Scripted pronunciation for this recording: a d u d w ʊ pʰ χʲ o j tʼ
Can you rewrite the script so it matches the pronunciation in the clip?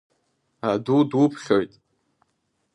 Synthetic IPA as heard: a d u d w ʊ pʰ χʲ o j tʼ